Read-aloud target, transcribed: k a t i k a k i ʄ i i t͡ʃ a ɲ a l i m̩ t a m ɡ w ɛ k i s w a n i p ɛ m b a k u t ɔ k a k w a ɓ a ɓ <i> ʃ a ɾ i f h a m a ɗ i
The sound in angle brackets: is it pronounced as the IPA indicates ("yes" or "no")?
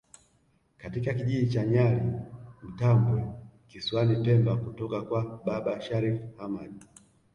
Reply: no